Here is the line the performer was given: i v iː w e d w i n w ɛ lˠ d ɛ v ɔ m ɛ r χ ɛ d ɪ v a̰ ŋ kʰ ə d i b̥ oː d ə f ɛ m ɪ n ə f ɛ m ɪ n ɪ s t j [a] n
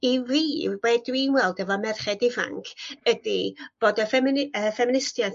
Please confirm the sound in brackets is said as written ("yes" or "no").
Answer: yes